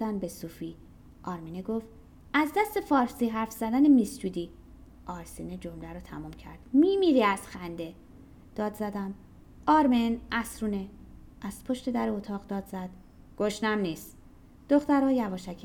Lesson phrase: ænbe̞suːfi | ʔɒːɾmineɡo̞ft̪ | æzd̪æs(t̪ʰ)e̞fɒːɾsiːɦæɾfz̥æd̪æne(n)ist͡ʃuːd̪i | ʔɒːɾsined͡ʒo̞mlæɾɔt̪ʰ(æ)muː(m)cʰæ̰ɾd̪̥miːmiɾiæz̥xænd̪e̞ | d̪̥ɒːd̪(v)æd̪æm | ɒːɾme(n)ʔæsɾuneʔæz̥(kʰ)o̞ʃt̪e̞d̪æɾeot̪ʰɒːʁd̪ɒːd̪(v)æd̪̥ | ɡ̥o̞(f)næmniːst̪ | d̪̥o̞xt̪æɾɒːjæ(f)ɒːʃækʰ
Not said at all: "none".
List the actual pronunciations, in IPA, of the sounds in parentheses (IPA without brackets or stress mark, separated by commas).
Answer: t̪, m, æ, m, z, n, pʰ, z, ʃ, v